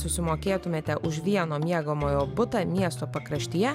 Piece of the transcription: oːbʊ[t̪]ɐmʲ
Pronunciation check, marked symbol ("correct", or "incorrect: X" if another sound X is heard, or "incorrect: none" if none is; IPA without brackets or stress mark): correct